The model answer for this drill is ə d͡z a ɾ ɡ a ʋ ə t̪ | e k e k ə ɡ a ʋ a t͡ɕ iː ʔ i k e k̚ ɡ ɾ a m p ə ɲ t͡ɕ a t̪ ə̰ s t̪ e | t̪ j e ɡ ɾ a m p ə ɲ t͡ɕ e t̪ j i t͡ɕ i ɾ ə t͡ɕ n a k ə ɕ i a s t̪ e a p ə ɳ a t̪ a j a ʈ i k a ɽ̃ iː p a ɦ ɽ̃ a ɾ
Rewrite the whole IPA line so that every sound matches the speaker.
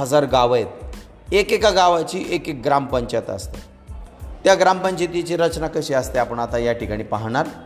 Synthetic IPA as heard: ə d͡z a ɾ ɡ a ʋ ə t̪ | e k e k a ɡ a ʋ a t͡ɕ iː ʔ e k e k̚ ɡ ɾ a m p ə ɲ t͡ɕ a t̪ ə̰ s t̪ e | t̪ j a ɡ ɾ a m p ə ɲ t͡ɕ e t̪ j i t͡ɕ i ɾ ə t͡ɕ n a k ə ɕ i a s t̪ e a p ə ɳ a t̪ a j a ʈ i k a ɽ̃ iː p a ɦ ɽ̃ a ɾ